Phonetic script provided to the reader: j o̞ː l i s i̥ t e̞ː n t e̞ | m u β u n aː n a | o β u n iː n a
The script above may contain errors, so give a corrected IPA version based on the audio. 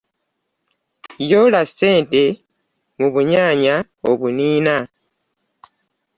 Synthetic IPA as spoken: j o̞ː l a s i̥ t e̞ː n t e̞ | m u β u ɲ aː ɲ a | o β u n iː n a